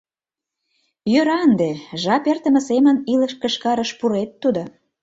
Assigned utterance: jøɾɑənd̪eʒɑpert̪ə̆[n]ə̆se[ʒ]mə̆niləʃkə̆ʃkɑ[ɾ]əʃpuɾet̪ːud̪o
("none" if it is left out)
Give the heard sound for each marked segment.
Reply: m, none, ɾ

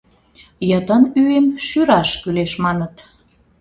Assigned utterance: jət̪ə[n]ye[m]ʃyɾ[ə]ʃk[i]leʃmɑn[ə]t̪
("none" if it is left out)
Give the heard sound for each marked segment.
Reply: n, m, ɑ, y, ə

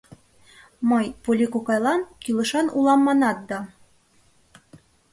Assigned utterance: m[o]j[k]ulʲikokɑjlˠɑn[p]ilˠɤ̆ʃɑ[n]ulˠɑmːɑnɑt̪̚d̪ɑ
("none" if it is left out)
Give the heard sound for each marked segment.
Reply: ɤ, p, k, n

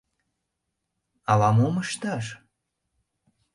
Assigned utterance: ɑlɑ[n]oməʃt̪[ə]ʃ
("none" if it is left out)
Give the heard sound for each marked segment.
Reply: m, ɑ

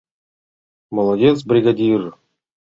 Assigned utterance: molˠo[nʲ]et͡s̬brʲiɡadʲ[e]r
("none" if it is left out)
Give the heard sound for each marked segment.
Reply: dʲ, i

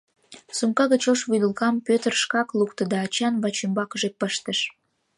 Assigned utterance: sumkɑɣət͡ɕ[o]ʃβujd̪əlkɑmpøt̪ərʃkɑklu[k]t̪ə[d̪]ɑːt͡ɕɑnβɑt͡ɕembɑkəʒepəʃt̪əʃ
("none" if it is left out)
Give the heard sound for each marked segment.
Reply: o, k, d̪

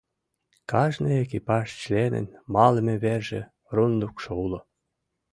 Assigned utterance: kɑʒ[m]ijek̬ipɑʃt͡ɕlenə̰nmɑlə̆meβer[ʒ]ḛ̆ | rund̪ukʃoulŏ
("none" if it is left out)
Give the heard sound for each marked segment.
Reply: n, ʒ

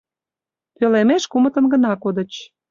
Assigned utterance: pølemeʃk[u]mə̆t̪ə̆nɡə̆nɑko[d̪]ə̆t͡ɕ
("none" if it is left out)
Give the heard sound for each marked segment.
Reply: u, d̪

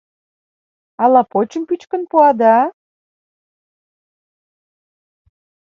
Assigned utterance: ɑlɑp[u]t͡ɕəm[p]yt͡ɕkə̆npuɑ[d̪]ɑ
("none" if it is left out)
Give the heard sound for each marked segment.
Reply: o, p, d̪

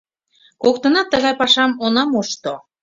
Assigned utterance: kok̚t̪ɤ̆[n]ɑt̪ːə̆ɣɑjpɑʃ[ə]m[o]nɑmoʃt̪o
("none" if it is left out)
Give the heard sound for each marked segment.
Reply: n, ɑ, o

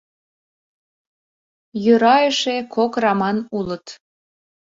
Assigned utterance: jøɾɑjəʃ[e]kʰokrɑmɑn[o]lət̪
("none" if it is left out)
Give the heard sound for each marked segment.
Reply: e, u

